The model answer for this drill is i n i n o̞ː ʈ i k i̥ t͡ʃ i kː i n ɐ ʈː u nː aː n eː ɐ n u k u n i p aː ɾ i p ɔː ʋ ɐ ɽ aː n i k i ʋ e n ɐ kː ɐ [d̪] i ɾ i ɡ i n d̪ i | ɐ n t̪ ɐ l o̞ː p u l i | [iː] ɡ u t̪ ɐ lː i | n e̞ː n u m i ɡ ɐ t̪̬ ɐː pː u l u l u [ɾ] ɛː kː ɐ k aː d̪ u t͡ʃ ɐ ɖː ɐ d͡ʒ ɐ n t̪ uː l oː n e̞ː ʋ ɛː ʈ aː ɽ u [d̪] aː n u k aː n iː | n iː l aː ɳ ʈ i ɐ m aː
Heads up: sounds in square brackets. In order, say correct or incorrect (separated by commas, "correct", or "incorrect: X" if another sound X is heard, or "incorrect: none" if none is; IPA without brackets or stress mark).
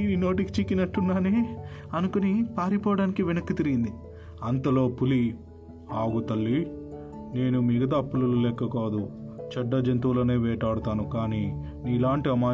incorrect: t̪, incorrect: aː, incorrect: l, incorrect: t̪